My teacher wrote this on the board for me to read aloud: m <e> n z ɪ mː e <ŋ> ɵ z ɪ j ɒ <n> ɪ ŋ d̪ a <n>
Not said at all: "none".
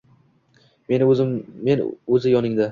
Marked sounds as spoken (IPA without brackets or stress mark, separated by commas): e, n, n, none